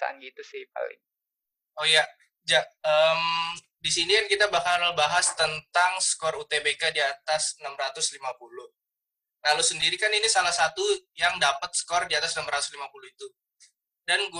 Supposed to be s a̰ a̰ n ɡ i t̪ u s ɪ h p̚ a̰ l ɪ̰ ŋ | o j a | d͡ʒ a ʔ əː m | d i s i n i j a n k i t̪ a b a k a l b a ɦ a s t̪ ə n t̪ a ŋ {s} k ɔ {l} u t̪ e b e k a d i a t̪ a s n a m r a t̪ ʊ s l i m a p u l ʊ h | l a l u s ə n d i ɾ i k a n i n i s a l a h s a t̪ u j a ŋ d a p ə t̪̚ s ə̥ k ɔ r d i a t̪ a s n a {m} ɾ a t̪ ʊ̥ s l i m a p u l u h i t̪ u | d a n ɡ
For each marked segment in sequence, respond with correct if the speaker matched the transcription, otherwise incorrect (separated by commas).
correct, incorrect, correct